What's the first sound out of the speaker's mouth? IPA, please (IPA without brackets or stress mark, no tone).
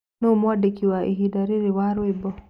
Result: n